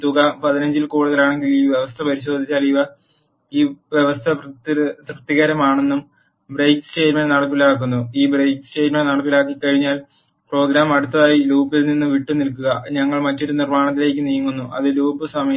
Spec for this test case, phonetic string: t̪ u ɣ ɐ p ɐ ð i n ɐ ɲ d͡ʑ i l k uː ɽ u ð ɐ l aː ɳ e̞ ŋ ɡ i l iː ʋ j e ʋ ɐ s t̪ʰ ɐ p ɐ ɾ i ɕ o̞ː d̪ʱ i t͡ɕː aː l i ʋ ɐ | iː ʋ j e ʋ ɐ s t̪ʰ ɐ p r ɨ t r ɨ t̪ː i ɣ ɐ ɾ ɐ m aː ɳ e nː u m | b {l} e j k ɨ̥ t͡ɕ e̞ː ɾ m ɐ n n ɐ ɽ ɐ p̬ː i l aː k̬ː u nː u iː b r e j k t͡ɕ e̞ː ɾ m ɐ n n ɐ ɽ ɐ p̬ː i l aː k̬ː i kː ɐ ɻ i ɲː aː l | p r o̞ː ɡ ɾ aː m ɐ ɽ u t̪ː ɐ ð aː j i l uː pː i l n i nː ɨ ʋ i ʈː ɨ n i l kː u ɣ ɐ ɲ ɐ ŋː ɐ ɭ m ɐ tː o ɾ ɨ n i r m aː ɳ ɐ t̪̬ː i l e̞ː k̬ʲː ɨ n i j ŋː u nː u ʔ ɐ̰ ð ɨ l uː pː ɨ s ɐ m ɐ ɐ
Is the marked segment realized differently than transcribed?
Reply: yes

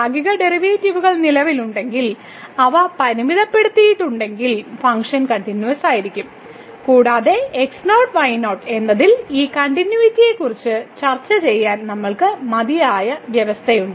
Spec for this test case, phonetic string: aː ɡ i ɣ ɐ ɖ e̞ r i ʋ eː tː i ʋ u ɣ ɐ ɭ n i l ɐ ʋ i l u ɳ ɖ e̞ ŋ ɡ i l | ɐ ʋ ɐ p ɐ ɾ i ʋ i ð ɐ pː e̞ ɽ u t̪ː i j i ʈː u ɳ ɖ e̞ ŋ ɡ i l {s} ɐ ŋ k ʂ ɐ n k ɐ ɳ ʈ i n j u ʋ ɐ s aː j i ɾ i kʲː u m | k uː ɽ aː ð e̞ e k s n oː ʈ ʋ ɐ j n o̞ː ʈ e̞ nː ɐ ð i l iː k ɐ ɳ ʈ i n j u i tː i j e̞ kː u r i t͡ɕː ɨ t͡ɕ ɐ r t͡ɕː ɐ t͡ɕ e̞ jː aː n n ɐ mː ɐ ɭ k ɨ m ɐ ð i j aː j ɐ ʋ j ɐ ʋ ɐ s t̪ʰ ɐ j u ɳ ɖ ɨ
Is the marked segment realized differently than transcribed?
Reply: yes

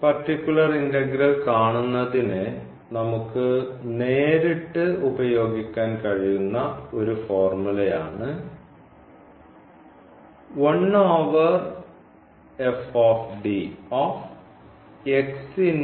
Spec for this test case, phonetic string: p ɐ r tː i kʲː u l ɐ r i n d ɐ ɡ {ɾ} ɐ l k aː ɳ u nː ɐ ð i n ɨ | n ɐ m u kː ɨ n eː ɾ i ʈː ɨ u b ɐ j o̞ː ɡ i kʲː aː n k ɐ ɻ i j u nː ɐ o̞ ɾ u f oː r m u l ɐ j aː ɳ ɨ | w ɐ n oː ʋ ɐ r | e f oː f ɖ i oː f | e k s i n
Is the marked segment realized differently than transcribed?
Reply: no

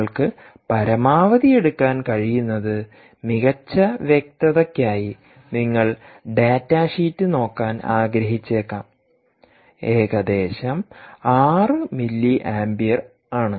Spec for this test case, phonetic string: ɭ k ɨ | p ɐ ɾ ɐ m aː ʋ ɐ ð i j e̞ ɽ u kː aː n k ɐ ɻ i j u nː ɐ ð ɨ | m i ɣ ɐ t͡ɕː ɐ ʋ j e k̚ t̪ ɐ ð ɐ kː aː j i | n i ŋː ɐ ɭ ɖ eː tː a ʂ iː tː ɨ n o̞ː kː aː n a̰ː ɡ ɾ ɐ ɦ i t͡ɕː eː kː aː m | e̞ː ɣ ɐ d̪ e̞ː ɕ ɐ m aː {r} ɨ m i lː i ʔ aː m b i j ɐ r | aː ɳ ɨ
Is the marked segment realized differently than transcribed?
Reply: no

